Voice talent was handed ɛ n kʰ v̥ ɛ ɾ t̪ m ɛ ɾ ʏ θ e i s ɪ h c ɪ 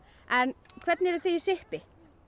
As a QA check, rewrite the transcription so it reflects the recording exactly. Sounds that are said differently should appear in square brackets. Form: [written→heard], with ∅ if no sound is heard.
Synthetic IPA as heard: ɛ n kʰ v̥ ɛ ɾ t̪ [m→n] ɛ ɾ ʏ θ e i s ɪ h [c→p] ɪ